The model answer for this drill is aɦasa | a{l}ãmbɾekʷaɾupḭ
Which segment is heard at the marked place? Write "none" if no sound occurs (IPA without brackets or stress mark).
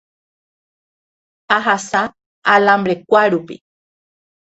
l